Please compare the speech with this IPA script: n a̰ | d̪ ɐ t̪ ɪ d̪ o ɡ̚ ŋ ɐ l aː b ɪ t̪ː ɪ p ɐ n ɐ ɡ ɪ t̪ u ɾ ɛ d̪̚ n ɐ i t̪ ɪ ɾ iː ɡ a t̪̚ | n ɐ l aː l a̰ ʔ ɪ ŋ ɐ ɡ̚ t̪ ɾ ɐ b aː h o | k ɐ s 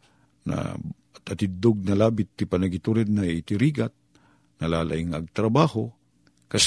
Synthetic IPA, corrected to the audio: n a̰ | t̪ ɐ t̪ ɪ d̪ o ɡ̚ n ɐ l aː b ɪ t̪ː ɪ p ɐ n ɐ ɡ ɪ t̪ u ɾ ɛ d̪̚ n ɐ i t̪ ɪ ɾ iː ɡ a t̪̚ | n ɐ l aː l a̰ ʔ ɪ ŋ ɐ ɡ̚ t̪ ɾ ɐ b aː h o | k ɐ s